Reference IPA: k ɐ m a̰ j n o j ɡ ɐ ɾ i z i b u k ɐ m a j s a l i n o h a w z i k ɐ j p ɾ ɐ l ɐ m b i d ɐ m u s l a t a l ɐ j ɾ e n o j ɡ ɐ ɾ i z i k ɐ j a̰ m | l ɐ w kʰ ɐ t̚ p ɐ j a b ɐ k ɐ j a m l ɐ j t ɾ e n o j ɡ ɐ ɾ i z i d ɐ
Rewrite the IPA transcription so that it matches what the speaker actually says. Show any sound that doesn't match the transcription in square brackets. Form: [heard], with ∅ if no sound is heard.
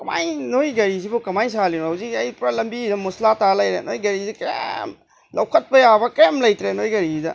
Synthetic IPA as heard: k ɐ m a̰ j n o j ɡ ɐ ɾ i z i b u k ɐ m a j s a l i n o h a w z i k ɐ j p ɾ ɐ l ɐ m b i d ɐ m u s l a t a l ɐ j ɾ e n o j ɡ ɐ ɾ i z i k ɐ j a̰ m | l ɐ w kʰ ɐ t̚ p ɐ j a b ɐ k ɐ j a m l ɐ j t ɾ e n o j ɡ ɐ ɾ i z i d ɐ